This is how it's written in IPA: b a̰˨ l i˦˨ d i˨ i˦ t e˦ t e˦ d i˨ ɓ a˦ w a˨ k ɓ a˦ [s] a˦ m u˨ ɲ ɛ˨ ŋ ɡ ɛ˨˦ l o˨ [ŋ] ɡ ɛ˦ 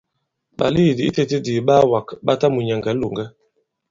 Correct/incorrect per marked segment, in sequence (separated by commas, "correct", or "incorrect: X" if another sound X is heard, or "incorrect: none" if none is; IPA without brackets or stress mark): incorrect: t, correct